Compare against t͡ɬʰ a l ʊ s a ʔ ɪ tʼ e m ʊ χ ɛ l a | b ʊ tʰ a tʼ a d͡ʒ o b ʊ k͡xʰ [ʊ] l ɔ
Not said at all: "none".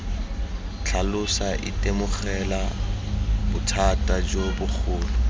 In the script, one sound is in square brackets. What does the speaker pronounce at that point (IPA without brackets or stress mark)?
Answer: ʊː